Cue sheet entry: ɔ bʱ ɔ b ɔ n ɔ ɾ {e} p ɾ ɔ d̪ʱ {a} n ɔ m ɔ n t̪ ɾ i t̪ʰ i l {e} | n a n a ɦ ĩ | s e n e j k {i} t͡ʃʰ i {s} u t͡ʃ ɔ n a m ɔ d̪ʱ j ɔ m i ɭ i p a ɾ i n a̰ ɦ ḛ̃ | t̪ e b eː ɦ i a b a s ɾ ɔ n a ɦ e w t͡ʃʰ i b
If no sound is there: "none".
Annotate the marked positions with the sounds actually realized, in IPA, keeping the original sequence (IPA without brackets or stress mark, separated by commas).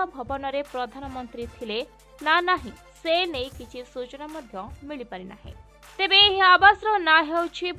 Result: e, a, e, i, s